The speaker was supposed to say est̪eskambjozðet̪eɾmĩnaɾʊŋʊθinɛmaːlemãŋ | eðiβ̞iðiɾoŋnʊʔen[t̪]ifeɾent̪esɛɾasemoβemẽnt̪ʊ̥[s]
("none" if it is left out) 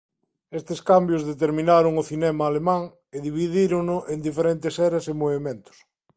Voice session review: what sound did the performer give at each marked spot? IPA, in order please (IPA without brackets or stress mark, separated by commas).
d̪, s